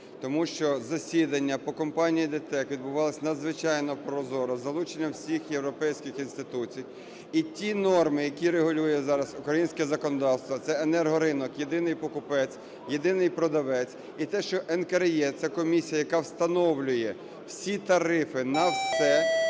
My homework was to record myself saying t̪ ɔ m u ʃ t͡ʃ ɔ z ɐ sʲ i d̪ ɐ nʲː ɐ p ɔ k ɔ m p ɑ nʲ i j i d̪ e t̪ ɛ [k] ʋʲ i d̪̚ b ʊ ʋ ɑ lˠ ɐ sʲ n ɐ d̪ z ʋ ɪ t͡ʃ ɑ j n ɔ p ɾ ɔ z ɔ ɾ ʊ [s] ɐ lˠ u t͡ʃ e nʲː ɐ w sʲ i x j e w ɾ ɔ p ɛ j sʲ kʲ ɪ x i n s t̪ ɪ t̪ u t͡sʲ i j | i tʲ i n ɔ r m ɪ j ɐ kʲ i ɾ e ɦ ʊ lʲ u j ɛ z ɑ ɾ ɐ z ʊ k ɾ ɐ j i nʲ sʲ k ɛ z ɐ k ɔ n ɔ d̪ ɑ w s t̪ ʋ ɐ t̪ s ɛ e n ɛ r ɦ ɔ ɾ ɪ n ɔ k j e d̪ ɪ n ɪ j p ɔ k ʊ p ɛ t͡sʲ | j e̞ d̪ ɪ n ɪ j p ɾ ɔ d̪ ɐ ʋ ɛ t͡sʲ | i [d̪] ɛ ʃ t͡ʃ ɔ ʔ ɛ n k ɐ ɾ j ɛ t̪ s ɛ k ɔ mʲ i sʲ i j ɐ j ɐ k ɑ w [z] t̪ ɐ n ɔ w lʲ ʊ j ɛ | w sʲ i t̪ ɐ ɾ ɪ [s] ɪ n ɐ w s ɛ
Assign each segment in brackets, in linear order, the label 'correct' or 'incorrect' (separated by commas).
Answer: correct, incorrect, incorrect, incorrect, incorrect